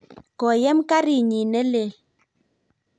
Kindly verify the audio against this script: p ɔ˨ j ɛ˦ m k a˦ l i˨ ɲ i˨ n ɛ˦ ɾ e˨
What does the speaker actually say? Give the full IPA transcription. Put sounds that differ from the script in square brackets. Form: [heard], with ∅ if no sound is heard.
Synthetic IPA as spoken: [k] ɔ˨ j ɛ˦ m k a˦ [ɾ] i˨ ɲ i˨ n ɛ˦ [l] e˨